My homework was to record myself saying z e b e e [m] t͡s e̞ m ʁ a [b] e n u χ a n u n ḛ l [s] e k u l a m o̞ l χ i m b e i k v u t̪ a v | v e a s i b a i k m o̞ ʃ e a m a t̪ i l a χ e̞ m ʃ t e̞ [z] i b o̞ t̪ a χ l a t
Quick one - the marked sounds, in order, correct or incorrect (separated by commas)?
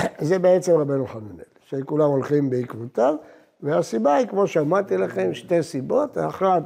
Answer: incorrect, correct, incorrect, incorrect